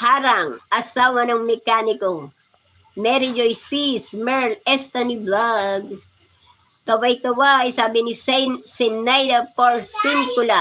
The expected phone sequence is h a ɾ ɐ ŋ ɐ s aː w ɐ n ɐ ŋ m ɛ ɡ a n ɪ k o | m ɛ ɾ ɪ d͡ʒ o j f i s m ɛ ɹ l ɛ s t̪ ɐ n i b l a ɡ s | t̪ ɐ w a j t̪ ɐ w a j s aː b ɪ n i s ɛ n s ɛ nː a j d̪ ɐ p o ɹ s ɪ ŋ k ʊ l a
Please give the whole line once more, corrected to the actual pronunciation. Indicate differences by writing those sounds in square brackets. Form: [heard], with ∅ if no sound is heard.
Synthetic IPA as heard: h a ɾ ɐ ŋ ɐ s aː w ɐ n ɐ ŋ m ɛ [k] a n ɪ k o | m ɛ ɾ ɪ d͡ʒ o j [s] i s m ɛ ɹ l ɛ s t̪ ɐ n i b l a ɡ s | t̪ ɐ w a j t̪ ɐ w a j s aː b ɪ n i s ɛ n s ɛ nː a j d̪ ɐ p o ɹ s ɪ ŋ k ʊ l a